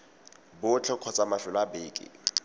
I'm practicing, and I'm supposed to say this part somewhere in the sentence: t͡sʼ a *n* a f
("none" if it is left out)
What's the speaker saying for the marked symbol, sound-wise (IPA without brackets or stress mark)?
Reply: m